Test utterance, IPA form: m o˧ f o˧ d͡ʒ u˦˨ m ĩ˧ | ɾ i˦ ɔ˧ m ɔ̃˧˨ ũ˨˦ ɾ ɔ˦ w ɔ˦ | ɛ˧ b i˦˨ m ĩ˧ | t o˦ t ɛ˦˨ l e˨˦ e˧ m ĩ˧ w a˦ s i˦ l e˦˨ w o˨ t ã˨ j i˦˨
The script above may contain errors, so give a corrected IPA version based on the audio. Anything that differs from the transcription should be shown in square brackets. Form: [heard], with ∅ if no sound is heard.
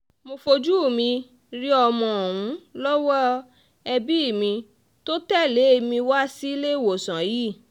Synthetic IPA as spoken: m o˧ f o˧ d͡ʒ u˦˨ m ĩ˧ | ɾ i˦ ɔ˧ m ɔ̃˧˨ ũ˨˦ [l] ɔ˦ w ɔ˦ | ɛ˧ b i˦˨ m ĩ˧ | t o˦ t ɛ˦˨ l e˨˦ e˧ m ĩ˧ w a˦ s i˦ l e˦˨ w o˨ [s] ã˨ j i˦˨